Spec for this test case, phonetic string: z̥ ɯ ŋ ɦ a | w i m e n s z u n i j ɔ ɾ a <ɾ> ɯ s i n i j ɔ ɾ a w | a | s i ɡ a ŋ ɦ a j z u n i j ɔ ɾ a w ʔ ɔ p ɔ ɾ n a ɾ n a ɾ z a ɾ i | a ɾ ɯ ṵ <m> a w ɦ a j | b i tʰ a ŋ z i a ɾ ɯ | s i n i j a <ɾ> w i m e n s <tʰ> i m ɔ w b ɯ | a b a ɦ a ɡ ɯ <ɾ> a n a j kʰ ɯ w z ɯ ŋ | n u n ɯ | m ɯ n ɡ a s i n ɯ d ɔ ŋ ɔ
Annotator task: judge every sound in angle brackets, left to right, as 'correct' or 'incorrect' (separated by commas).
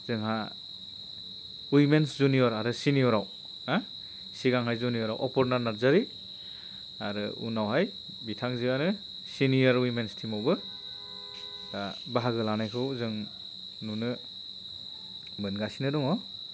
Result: correct, incorrect, correct, correct, incorrect